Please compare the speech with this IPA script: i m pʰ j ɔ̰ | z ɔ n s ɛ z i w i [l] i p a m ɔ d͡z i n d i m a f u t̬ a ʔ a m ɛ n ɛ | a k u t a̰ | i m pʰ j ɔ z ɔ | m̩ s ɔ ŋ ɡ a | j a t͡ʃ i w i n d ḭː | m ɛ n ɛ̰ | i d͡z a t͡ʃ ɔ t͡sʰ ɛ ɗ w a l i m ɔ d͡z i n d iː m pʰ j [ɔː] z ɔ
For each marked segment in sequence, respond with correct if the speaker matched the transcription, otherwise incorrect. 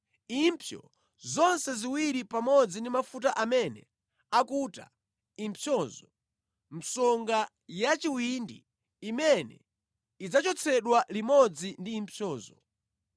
incorrect, correct

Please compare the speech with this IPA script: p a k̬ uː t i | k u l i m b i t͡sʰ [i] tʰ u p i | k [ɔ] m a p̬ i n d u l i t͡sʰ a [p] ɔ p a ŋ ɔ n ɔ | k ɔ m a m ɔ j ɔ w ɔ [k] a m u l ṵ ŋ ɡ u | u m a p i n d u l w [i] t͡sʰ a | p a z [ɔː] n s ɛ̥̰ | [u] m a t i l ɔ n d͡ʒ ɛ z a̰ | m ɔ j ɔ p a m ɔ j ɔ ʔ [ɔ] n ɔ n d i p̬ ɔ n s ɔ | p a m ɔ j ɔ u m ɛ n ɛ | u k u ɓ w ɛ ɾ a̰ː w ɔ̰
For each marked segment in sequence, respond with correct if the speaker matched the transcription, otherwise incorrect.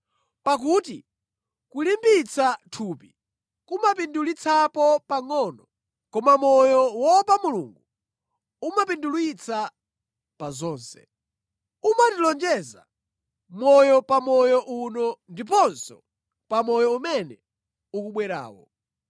incorrect, incorrect, correct, incorrect, correct, correct, correct, incorrect

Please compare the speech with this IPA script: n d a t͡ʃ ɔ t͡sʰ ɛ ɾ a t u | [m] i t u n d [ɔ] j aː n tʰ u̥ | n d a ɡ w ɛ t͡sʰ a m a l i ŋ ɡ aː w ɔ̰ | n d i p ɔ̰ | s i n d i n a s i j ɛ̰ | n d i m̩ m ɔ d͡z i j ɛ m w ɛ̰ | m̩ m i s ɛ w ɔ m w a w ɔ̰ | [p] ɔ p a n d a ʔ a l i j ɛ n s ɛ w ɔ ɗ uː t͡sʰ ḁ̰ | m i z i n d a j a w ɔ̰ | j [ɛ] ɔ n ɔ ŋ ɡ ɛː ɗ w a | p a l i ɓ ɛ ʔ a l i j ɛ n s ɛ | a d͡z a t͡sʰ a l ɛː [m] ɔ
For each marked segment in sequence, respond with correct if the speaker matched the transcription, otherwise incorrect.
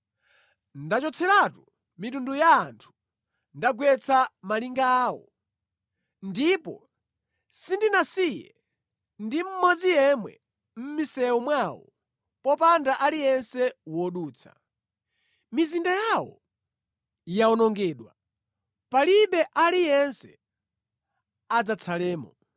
correct, incorrect, correct, incorrect, correct

